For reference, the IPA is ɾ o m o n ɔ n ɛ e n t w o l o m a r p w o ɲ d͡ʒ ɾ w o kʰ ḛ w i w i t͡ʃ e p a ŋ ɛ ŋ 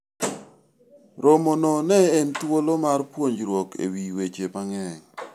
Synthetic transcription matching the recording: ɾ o m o n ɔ n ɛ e n t w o l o m a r p w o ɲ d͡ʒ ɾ w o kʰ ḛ w i w e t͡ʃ e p a ŋ ɛ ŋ